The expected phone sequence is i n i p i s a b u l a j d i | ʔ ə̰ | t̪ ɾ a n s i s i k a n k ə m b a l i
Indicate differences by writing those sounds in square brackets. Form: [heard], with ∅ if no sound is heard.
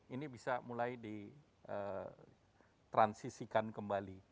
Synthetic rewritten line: i n i [b] i s a [m] u l a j d i | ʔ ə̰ | t̪ ɾ a n s i s i k a n k ə m b a l i